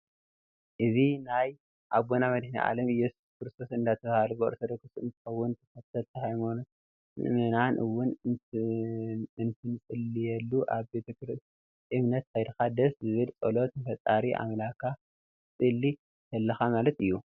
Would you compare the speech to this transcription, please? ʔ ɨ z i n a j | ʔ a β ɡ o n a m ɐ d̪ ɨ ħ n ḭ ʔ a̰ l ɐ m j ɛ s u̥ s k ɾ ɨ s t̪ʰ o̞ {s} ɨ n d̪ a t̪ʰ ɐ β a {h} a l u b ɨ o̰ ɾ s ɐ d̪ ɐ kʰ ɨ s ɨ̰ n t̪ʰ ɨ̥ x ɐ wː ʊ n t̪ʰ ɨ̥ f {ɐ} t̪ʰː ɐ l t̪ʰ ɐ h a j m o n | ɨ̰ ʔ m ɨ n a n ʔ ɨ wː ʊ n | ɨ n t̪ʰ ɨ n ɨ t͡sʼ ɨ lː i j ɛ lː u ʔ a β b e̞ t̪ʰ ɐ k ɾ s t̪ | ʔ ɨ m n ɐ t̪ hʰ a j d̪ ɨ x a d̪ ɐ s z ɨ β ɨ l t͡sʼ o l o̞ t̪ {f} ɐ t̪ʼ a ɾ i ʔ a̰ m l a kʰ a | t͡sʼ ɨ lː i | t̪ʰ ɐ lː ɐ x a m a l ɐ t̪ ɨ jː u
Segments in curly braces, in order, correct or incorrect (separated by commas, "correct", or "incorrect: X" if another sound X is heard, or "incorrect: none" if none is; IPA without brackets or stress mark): correct, correct, correct, correct